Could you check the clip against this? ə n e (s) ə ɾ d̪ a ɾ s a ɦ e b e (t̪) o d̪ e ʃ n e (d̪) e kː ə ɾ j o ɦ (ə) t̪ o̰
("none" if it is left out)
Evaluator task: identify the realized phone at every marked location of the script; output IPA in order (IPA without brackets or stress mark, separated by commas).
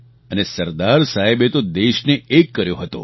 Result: s, t̪, none, ə